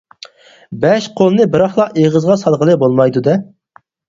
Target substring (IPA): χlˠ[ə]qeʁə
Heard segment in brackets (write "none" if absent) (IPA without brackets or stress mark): ɑ